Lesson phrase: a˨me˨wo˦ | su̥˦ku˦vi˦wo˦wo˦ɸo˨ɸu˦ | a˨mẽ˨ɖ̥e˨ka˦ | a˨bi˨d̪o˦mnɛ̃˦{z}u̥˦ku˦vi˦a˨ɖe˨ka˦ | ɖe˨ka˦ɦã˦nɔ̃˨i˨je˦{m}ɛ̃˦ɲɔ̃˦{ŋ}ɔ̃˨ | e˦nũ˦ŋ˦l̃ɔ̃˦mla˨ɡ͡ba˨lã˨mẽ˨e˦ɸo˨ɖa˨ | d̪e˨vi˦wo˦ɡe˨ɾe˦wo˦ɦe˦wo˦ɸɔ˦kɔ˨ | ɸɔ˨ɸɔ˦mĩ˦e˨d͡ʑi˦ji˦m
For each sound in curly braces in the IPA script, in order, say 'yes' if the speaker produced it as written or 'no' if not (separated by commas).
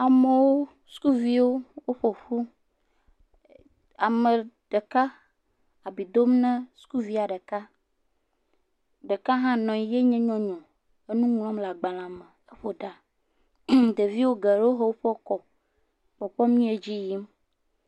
no, no, no